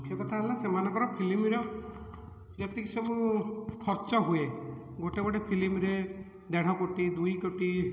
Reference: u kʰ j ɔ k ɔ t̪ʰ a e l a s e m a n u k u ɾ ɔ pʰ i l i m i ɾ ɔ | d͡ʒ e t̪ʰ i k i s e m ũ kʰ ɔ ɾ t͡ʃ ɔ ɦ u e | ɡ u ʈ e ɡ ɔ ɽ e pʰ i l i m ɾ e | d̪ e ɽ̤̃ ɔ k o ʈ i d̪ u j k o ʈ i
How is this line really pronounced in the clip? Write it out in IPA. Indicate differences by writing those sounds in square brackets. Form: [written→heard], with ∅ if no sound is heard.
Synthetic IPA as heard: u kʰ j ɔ k ɔ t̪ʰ a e l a s e m a n [u→ɔ] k [u→ɔ] ɾ ɔ pʰ i l i m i ɾ ɔ | d͡ʒ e [t̪ʰ→t̪] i k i s e m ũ kʰ ɔ ɾ t͡ʃ ɔ ɦ u e | ɡ [u→o] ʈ e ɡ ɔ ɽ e pʰ i l i m ɾ e | d̪ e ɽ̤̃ ɔ k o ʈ i d̪ u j k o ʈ i